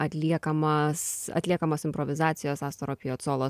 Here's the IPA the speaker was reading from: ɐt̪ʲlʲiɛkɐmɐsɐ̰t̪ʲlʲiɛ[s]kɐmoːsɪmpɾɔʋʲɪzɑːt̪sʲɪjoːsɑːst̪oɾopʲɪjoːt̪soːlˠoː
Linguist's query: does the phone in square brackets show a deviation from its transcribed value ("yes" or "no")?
yes